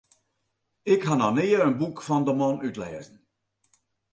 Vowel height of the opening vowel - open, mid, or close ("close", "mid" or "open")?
close